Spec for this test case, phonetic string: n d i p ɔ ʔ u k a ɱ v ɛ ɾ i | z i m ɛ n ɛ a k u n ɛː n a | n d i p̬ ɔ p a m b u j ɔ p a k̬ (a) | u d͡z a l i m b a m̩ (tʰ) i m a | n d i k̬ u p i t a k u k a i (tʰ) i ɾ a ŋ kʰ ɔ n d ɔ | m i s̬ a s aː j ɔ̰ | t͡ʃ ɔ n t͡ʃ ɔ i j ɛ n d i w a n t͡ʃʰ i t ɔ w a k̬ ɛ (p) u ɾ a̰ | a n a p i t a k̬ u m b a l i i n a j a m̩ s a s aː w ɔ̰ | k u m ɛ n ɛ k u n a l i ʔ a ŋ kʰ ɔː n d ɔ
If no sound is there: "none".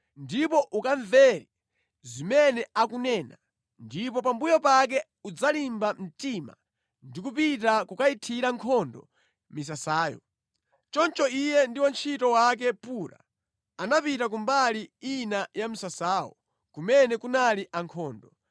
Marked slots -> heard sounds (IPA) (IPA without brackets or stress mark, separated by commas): ɛ, t, tʰ, p